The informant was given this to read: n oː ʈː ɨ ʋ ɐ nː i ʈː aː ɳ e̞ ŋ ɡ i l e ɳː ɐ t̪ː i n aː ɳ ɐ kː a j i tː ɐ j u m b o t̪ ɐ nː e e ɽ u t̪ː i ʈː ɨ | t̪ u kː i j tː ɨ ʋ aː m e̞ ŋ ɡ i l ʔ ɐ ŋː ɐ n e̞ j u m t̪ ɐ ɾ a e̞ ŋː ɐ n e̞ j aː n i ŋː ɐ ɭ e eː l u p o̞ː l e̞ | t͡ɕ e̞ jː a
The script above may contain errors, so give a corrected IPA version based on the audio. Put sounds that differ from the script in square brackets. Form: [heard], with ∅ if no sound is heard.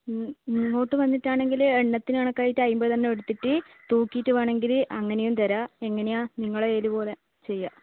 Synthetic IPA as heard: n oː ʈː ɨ ʋ ɐ nː i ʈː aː ɳ e̞ ŋ ɡ i l e ɳː ɐ t̪ː i n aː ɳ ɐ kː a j i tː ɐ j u m b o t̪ ɐ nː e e ɽ u t̪ː i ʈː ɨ | t̪ [uː] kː i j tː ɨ ʋ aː [ɳ] e̞ ŋ ɡ i l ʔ ɐ ŋː ɐ n e̞ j u m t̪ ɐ ɾ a e̞ ŋː ɐ n e̞ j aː n i ŋː ɐ ɭ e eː l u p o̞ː l e̞ | t͡ɕ e̞ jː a